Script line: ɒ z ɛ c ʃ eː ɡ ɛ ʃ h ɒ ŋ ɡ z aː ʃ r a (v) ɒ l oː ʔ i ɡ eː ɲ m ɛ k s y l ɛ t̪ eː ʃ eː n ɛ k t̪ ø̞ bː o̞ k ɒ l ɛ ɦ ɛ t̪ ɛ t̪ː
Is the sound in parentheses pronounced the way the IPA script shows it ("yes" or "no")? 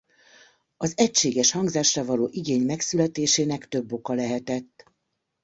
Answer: yes